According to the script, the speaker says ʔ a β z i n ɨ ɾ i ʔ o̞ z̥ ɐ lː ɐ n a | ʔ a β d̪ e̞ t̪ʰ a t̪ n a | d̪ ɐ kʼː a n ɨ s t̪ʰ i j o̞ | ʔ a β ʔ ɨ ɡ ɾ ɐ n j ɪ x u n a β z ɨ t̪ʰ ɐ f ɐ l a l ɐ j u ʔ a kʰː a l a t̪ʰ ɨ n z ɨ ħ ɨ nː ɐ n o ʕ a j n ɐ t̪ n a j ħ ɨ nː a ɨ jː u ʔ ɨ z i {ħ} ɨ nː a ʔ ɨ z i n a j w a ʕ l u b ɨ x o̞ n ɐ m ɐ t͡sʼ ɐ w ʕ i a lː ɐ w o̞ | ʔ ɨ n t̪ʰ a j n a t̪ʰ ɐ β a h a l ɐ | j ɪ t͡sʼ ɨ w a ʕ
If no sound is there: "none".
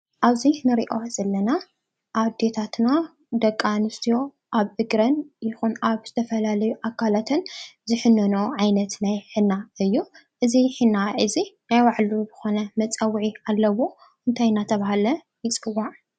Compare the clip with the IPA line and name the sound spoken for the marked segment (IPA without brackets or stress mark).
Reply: ħ